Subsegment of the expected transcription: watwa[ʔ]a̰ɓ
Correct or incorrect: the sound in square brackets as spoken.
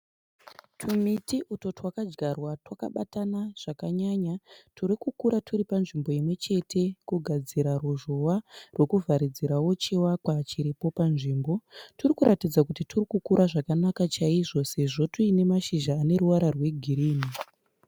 incorrect: k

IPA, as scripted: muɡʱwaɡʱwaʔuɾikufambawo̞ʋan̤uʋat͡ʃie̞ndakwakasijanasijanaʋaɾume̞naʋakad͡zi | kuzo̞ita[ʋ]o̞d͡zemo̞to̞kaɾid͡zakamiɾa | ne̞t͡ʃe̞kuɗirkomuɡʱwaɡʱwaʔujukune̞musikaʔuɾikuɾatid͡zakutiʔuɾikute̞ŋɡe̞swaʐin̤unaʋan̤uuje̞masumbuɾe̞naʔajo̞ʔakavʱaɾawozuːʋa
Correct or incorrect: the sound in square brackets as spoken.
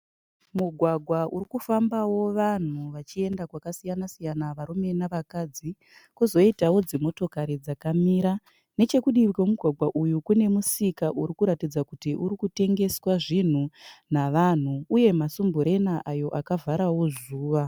incorrect: w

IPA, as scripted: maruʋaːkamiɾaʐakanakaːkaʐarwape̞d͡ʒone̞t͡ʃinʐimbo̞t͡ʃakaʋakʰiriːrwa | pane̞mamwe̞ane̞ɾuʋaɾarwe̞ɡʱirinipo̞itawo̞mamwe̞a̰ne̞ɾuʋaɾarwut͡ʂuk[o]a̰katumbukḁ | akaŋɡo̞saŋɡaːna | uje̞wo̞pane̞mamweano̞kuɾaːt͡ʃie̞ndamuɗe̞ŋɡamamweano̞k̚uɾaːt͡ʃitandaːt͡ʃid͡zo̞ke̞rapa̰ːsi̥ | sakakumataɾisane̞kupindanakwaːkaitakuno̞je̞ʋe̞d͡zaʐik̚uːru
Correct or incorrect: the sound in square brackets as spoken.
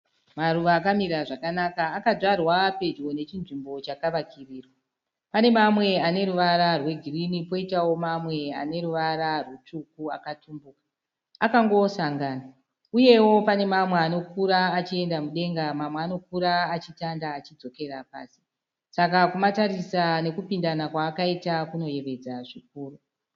incorrect: u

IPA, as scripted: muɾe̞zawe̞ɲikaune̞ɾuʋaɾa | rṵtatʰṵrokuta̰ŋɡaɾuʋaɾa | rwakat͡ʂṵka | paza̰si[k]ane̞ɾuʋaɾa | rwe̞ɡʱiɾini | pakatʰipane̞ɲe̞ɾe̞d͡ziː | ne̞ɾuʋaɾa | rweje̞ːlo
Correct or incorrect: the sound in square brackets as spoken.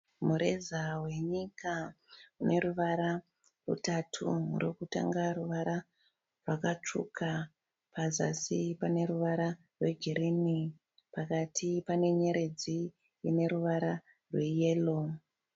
incorrect: p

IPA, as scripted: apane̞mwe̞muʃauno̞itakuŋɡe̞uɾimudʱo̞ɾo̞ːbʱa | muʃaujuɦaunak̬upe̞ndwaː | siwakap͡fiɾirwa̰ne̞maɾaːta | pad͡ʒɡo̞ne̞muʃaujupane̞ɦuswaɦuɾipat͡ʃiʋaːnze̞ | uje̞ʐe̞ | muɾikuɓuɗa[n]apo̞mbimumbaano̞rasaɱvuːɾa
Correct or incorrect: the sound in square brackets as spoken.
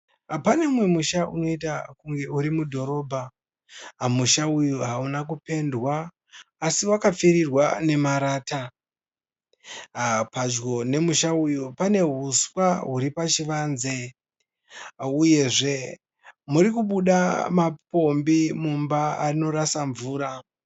incorrect: m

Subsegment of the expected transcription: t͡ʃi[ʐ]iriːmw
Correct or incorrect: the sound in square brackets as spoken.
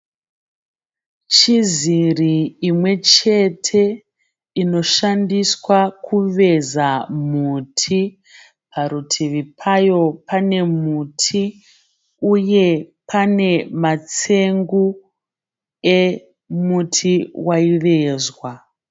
incorrect: z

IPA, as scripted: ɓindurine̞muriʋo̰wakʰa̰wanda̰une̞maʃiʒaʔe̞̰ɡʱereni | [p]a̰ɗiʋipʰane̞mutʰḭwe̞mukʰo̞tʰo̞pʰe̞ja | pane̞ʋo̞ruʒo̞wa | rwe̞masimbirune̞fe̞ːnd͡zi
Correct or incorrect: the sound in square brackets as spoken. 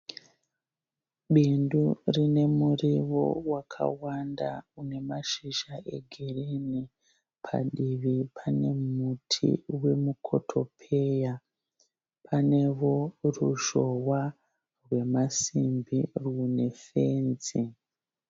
incorrect: pʰ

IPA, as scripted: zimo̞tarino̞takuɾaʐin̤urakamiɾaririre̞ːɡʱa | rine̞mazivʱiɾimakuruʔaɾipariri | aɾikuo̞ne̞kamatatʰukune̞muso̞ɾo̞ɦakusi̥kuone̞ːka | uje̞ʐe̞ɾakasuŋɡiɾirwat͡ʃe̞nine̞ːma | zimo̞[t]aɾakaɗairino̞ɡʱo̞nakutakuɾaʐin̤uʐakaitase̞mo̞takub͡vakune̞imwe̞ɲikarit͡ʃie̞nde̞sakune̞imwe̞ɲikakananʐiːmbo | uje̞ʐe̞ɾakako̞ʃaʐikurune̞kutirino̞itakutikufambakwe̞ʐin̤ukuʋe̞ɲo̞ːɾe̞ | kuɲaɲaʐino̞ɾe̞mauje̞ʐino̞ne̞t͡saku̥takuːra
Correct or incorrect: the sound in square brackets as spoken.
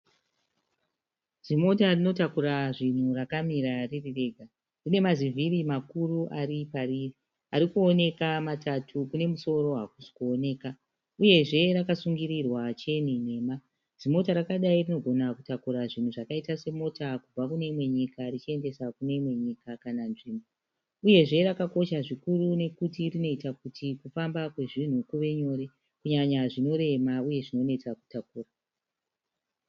correct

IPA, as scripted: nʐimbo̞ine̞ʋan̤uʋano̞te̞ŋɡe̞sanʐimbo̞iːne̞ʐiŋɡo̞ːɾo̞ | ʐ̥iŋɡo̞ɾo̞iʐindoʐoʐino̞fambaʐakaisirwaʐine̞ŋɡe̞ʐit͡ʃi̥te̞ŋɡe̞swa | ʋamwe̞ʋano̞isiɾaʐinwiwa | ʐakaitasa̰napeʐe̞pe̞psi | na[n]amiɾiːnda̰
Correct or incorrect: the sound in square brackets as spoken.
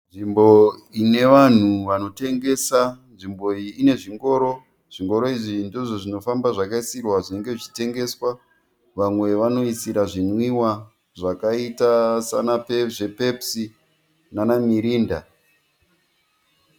correct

